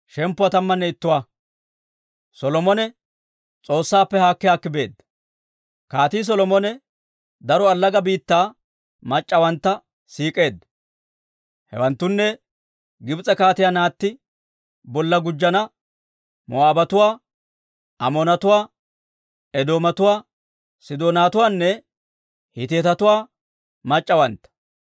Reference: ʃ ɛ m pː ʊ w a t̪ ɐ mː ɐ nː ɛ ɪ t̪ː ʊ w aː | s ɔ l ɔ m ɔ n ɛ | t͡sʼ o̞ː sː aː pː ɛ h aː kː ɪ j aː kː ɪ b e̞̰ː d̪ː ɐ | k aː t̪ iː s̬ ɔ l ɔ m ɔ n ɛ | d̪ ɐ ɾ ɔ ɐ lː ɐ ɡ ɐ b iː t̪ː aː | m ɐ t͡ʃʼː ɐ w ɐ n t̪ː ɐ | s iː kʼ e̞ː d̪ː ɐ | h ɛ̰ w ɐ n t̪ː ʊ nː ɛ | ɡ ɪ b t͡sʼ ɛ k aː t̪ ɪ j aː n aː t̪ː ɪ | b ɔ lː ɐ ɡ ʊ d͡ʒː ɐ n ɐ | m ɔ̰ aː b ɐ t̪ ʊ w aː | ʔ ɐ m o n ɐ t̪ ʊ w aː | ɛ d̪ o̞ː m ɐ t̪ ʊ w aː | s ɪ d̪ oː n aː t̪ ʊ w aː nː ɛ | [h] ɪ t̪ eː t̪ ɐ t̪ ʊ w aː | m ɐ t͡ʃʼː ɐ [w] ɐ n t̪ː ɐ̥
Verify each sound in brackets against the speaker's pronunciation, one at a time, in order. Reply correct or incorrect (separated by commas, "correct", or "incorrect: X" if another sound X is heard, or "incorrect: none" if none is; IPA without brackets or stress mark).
correct, correct